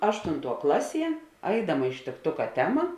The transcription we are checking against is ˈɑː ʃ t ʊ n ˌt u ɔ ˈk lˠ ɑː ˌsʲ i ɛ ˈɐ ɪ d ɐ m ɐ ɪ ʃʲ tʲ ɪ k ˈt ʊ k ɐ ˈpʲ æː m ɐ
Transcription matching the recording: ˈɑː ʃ t ʊ n ˌt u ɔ ˈk lˠ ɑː ˌsʲ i ɛ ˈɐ ɪ d ɐ m ɐ ɪ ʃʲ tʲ ɪ k ˈt ʊ k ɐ ˈtʲ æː m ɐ